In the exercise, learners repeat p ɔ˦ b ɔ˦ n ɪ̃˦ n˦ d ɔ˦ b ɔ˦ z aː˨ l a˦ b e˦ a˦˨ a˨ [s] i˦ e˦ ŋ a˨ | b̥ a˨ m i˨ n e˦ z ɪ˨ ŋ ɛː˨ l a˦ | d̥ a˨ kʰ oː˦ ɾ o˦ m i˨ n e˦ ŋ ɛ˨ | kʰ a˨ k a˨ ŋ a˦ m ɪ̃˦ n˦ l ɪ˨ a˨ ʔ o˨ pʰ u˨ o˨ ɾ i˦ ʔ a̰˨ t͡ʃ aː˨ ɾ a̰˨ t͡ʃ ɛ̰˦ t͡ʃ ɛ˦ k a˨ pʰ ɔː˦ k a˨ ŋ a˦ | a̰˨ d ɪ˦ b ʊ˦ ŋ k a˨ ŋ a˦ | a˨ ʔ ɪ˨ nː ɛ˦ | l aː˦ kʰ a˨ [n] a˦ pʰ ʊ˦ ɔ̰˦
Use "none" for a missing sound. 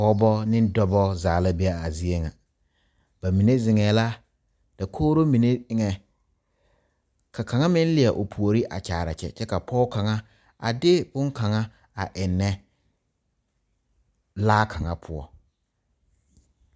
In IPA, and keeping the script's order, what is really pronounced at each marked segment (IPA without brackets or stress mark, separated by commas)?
z, ŋ